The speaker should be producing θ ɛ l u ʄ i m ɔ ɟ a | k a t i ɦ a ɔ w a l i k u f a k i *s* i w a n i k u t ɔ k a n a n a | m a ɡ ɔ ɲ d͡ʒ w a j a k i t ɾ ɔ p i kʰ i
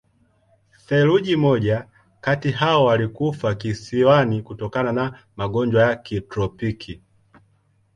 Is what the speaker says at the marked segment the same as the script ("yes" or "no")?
yes